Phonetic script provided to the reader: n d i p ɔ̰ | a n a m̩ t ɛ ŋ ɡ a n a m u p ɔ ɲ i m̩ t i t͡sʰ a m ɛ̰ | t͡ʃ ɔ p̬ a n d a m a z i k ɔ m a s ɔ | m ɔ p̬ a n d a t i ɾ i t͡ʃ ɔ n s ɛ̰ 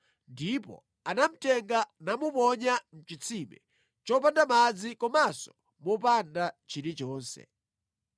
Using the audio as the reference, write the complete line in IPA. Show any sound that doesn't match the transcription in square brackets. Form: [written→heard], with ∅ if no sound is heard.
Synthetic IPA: n d i p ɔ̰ | a n a m̩ t ɛ ŋ ɡ a n a m u p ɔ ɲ [i→a] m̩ [t→t͡ʃ] i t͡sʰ [a→i] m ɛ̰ | t͡ʃ ɔ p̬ a n d a m a [z→d͡z] i k ɔ m a s ɔ | m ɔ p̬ a n d a [t→t͡ʃ] i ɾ i t͡ʃ [ɔ→ɔː] n s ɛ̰